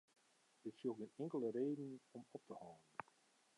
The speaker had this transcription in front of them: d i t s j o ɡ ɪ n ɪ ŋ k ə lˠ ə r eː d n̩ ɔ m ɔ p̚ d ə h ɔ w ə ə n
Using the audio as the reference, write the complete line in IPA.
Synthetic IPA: d ɪ t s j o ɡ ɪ n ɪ ŋ k ə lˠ ə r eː d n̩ ɔ m ɔ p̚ t ə h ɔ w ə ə n